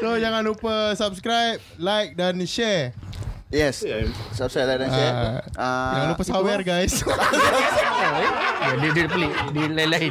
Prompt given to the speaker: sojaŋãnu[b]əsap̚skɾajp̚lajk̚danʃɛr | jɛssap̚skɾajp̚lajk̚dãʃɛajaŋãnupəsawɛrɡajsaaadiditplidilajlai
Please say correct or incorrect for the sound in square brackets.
incorrect